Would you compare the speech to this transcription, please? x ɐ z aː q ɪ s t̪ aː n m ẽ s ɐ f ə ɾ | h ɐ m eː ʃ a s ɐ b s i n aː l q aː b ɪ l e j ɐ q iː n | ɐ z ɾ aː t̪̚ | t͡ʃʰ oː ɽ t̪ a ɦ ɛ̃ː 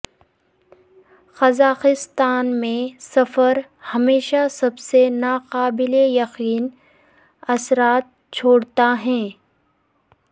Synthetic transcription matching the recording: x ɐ z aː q ɪ s t̪ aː n m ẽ s ɐ f ə ɾ | h ɐ m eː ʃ a s ɐ b s e n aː q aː b ɪ l e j ɐ q iː n | ɐ s ɾ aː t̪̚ | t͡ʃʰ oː ɽ t̪ a ɦ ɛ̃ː